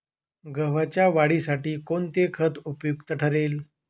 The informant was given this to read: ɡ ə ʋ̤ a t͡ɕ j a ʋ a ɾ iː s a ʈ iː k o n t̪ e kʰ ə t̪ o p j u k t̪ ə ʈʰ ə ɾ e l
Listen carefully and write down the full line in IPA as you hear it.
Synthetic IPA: ɡ ə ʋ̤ a t͡ɕ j a ʋ a ɽ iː s a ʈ iː k o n t̪ e kʰ ə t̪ u p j u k t̪ ə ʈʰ ə ɾ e l